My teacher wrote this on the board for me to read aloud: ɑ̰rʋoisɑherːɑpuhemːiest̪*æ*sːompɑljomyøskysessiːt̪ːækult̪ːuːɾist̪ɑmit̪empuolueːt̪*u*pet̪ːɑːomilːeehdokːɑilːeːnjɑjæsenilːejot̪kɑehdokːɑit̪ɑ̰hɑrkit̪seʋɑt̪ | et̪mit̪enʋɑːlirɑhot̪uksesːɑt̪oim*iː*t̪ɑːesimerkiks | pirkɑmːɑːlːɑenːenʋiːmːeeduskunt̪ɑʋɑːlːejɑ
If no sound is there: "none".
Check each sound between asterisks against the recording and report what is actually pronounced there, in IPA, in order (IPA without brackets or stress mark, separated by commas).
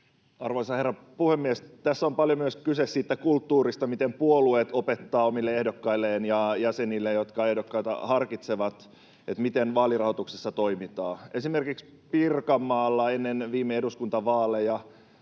æ, o, i